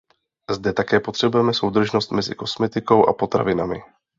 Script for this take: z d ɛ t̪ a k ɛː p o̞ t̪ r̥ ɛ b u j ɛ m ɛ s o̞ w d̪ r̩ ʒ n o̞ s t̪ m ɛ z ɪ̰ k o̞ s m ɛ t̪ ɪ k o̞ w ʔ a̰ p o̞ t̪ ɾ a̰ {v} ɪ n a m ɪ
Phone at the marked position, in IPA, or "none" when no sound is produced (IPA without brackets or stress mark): v